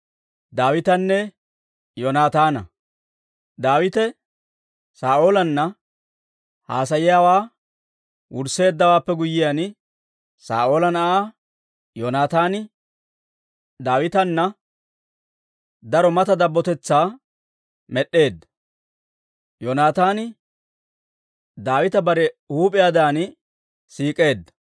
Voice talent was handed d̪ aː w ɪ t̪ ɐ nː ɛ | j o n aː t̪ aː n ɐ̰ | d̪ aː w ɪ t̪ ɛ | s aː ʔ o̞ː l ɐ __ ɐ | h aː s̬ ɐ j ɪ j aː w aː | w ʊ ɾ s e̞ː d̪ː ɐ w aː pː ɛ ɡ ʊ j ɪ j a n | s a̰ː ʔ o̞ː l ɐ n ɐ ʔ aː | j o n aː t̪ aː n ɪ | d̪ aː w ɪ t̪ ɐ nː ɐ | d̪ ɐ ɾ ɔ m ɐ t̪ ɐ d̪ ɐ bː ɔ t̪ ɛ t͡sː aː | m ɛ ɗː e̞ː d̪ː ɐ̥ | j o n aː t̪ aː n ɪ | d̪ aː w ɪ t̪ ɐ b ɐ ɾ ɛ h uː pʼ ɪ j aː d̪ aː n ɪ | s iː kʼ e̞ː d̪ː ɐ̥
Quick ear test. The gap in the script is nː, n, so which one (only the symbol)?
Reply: nː